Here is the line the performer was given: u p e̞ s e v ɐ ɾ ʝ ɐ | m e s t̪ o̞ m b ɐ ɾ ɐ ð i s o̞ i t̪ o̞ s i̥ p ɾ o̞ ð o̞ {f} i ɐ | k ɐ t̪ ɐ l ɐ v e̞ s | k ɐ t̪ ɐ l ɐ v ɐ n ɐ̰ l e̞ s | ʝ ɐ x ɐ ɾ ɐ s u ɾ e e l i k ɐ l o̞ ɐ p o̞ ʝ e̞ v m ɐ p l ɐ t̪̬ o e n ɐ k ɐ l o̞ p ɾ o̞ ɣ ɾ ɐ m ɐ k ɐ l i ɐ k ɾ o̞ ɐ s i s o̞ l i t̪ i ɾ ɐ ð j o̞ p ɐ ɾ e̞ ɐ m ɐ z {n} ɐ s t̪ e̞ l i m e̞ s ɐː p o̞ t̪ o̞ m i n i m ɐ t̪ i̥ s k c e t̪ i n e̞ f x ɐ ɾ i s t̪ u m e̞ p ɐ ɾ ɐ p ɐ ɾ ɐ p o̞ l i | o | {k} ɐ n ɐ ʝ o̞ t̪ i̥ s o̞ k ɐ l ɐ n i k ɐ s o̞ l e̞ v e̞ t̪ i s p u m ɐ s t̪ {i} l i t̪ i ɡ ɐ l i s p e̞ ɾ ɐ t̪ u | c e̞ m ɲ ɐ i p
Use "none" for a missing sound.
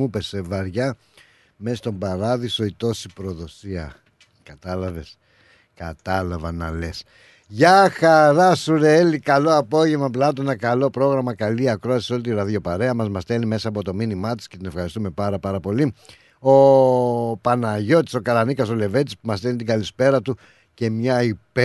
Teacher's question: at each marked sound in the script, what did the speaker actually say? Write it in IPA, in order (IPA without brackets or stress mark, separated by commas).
s, m, p, e